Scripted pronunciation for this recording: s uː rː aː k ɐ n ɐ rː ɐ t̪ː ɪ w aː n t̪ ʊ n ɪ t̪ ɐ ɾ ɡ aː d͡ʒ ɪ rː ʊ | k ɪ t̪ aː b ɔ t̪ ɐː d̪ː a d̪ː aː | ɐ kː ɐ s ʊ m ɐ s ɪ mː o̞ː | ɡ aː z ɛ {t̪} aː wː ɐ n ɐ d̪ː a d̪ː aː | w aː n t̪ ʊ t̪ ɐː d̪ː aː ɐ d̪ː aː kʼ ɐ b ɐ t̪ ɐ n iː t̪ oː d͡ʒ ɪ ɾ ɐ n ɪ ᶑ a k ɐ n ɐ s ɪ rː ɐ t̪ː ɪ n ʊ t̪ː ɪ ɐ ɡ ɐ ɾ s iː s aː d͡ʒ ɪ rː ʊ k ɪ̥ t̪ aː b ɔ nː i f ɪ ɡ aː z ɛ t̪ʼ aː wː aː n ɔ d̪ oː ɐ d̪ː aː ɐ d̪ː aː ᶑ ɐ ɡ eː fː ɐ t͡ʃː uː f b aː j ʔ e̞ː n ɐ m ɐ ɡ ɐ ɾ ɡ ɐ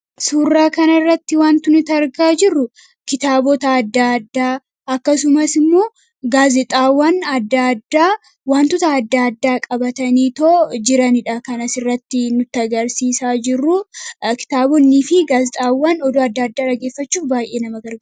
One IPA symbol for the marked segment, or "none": t̪ʼ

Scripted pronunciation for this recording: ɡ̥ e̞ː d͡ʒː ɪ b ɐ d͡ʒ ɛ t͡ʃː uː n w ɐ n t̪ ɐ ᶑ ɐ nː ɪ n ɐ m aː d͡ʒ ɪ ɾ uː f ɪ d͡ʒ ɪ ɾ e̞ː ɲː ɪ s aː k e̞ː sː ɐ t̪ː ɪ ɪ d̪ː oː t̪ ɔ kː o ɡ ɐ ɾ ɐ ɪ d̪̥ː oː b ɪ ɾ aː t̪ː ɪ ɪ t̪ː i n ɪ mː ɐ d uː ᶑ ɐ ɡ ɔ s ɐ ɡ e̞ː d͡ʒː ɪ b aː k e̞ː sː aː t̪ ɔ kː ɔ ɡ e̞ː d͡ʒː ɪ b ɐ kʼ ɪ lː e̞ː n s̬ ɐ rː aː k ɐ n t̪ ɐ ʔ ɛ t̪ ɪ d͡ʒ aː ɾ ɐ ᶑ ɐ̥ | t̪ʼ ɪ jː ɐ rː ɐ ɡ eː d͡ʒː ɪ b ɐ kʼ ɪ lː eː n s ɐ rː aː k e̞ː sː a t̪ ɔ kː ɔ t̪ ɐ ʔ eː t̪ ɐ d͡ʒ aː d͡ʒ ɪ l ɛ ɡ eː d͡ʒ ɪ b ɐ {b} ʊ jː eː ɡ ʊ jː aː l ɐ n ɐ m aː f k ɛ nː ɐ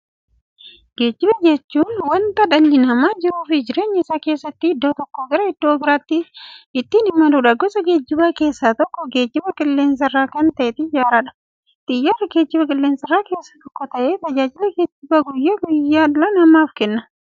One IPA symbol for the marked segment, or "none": ɡ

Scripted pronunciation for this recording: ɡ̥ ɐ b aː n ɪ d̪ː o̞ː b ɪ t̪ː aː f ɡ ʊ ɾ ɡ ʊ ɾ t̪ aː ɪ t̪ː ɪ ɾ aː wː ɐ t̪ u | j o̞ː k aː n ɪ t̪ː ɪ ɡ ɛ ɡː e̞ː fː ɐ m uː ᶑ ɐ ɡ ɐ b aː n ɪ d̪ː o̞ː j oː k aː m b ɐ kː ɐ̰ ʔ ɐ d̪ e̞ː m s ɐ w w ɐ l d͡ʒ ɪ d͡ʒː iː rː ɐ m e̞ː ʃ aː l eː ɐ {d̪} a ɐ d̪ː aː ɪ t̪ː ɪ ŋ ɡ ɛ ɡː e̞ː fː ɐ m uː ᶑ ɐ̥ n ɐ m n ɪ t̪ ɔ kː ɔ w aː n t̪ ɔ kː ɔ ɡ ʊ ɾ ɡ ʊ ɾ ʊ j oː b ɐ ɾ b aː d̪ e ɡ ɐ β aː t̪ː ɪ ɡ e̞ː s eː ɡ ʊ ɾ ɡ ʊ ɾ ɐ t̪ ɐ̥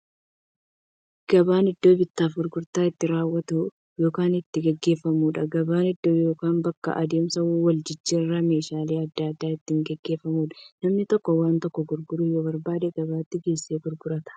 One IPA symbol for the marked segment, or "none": d̪ː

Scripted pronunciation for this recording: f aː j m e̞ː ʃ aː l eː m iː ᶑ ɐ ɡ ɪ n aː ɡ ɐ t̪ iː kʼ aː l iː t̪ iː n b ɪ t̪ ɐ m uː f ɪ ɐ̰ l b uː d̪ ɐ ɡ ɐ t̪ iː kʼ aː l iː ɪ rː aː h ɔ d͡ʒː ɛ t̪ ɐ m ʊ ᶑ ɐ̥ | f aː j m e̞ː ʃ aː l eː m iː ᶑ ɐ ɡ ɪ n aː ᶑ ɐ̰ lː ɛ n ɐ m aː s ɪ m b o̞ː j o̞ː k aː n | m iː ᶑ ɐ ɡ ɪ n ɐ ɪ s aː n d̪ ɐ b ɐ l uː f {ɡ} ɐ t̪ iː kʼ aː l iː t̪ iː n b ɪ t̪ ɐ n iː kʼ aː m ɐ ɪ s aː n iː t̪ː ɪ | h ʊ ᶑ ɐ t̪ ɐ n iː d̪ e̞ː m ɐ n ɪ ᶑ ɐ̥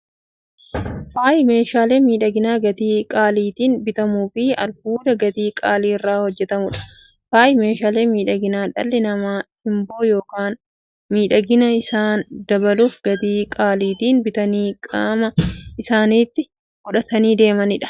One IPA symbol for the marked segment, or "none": ɡ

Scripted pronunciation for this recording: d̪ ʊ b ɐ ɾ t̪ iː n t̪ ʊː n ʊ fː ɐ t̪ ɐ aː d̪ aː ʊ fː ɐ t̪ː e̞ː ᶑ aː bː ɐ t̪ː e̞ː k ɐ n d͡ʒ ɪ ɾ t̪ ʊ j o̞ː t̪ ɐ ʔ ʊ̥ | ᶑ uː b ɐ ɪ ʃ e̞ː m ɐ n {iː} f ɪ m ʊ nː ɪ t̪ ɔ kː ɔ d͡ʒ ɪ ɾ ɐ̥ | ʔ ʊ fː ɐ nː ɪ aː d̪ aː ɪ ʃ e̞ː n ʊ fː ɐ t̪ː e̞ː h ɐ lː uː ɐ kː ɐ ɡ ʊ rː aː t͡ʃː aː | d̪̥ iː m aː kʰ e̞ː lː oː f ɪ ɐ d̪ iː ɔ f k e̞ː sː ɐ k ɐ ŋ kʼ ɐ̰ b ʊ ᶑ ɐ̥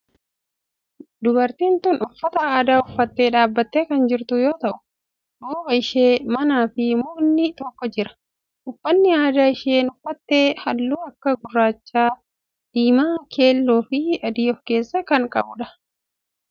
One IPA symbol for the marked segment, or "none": aː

